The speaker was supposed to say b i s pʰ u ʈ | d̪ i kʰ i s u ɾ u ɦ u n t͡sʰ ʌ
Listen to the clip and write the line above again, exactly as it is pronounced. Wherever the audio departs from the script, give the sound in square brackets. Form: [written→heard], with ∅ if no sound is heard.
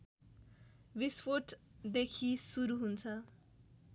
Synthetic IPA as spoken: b i s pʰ [u→o] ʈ | d̪ [i→e] kʰ i s u ɾ u ɦ u n t͡sʰ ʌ